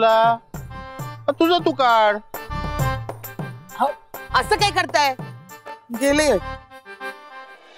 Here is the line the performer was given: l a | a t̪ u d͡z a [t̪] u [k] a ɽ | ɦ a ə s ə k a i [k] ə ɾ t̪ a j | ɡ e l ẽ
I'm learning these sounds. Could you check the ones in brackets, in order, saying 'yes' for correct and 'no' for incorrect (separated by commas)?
yes, yes, yes